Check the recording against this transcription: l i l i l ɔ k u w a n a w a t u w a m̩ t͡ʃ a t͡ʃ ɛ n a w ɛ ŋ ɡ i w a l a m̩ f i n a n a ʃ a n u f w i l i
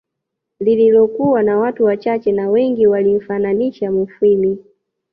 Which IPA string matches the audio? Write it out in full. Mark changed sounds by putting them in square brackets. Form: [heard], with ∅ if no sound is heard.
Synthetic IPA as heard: l i l i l ɔ k u w a n a w a t u w a [∅] t͡ʃ a t͡ʃ ɛ n a w ɛ ŋ ɡ i w a l [i] m̩ f [a] n a n [i] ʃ a [m] u f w i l i